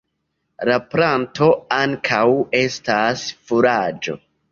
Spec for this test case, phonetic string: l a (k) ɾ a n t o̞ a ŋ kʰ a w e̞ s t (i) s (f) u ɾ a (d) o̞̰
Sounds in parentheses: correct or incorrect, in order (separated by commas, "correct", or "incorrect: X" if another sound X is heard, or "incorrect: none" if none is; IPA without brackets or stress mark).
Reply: incorrect: p, incorrect: a, correct, incorrect: d͡ʒ